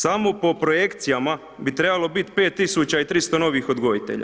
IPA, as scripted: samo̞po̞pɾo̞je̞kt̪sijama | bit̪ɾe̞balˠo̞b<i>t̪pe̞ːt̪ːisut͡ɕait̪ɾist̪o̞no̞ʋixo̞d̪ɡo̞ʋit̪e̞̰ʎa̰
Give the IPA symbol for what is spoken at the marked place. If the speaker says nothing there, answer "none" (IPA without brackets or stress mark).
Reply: i